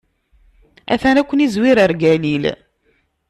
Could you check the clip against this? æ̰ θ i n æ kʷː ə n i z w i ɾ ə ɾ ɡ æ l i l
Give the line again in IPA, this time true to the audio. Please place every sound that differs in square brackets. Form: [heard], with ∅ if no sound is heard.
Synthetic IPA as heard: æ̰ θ [æ] n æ kʷː ə n i z w i ɾ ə ɾ ɡ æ l i l